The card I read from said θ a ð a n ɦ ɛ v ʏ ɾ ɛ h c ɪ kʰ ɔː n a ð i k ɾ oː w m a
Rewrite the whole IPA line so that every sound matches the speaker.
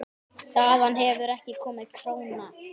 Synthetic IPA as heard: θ a ð a n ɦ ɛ v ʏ ɾ ɛ h c ɪ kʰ ɔː m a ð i kʰ ɾ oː w n a